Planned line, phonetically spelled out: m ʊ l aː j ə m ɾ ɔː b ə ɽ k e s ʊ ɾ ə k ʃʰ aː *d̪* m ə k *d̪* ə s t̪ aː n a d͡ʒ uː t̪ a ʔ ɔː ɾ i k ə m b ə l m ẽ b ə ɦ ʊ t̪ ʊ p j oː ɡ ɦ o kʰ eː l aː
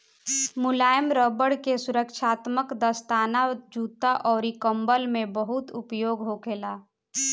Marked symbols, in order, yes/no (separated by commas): no, yes